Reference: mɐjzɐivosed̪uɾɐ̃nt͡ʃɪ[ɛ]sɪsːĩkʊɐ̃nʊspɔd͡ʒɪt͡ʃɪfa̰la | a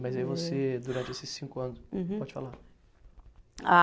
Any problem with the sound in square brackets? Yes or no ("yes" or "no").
yes